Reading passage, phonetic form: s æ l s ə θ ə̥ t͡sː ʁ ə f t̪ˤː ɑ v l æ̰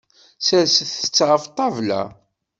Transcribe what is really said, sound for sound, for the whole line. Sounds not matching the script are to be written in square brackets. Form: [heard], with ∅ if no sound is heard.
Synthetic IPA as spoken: s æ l s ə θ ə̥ t͡sː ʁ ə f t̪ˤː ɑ v l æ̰